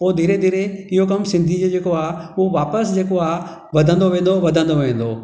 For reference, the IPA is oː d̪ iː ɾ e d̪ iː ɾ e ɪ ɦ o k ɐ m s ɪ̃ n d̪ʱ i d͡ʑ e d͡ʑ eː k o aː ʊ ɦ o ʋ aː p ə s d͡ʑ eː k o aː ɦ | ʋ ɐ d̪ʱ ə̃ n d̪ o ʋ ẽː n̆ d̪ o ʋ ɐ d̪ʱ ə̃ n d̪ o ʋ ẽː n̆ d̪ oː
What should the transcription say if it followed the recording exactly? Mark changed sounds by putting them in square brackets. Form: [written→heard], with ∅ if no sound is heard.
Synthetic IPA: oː d̪ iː ɾ e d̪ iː ɾ e ɪ ɦ o k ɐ m s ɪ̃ n d̪ʱ i d͡ʑ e d͡ʑ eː k o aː ʊ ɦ o ʋ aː p ə s d͡ʑ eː k o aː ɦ | ʋ ɐ d̪ʱ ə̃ n d̪ o ʋ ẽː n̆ d̪ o ʋ ɐ d̪ʱ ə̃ n d̪ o ʋ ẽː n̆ d̪ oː

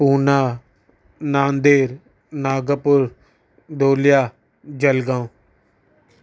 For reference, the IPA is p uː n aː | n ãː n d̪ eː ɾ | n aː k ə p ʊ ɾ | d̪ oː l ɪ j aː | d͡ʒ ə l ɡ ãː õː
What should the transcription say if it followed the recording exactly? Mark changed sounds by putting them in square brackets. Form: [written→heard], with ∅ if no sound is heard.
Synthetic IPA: p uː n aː | n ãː n d̪ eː ɾ | n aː [k→ɡ] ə p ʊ ɾ | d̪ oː l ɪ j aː | d͡ʒ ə l ɡ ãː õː

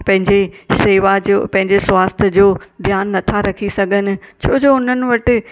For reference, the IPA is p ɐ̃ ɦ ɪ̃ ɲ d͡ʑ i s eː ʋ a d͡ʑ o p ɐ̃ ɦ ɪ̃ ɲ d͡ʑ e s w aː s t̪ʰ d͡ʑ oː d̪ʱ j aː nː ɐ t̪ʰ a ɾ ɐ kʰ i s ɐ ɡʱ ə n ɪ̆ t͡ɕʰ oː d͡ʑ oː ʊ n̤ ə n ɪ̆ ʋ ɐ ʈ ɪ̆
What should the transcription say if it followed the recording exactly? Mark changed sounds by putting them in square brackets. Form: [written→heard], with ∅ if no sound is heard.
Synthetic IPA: p ɐ̃ ɦ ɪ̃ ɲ d͡ʑ [i→e] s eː ʋ a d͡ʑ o p ɐ̃ ɦ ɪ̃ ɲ d͡ʑ e s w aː s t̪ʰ d͡ʑ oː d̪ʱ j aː nː ɐ t̪ʰ a ɾ ɐ kʰ i s ɐ ɡʱ ə n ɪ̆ t͡ɕʰ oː d͡ʑ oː ʊ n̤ ə n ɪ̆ ʋ ɐ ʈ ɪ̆

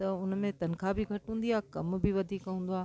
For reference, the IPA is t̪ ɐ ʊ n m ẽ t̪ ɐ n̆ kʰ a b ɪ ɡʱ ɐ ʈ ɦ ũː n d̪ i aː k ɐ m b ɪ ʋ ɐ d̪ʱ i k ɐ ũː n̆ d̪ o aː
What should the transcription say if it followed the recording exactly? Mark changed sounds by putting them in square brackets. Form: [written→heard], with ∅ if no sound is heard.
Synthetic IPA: t̪ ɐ ʊ n m ẽ t̪ ɐ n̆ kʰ a b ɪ ɡʱ ɐ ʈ ɦ ũː n d̪ i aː k ɐ m b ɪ ʋ ɐ d̪ʱ [i→iː] k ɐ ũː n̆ d̪ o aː

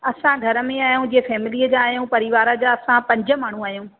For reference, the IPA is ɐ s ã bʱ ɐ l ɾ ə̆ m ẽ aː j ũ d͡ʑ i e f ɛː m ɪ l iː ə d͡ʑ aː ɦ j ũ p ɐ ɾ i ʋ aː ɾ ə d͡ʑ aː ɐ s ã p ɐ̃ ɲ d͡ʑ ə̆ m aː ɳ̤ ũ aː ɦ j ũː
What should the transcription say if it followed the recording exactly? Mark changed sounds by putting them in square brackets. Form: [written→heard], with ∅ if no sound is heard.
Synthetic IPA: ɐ s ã [bʱ→ɡʱ] ɐ [l→∅] ɾ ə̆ m ẽ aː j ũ d͡ʑ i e f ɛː m ɪ l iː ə d͡ʑ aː ɦ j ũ p ɐ ɾ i ʋ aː ɾ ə d͡ʑ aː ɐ s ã p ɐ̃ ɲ d͡ʑ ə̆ m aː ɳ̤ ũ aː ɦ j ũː

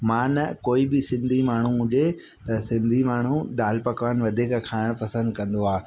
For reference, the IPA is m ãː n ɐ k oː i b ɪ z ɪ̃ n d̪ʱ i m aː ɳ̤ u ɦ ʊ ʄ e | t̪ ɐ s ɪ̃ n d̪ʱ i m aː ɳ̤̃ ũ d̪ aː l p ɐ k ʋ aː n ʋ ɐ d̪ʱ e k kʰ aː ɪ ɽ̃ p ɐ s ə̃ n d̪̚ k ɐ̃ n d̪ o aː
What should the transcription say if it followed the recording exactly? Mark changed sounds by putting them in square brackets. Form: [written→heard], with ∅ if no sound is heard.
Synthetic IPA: m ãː n ɐ k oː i b ɪ [z→s] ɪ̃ n d̪ʱ i m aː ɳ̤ u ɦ ʊ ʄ e | t̪ ɐ s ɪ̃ n d̪ʱ i m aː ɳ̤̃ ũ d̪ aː l p ɐ k ʋ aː n ʋ ɐ d̪ʱ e k kʰ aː ɪ ɽ̃ p ɐ s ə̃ n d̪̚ k ɐ̃ n d̪ o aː

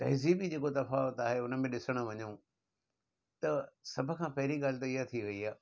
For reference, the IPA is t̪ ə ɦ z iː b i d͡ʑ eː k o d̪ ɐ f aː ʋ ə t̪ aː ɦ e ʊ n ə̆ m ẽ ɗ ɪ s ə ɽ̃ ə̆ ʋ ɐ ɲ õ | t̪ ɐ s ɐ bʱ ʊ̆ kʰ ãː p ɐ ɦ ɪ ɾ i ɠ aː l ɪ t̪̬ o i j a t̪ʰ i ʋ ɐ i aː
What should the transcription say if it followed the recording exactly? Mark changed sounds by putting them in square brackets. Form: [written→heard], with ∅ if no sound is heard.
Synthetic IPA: t̪ [ə→ɐ] ɦ z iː b i d͡ʑ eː k o [d̪→t̪] ɐ f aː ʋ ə t̪ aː ɦ e ʊ n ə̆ m ẽ ɗ ɪ s ə ɽ̃ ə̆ ʋ ɐ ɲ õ | t̪ ɐ s ɐ bʱ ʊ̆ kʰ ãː p ɐ ɦ ɪ ɾ i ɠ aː l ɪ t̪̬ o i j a t̪ʰ i ʋ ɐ i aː

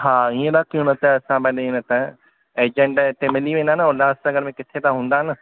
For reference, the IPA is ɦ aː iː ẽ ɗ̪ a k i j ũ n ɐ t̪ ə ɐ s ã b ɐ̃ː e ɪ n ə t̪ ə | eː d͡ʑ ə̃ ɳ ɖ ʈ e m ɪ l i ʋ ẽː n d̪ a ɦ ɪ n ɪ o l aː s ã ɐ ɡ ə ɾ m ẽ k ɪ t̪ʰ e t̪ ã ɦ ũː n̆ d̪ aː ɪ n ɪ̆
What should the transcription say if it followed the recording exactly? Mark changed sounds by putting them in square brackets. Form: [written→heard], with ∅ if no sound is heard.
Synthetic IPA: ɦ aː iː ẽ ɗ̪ a k i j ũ n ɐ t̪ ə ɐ s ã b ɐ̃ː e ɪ n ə t̪ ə | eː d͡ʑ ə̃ ɳ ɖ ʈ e m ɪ l i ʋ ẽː n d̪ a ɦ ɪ n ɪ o l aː s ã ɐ ɡ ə ɾ m ẽ k ɪ t̪ʰ e t̪ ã ɦ ũː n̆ d̪ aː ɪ n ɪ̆

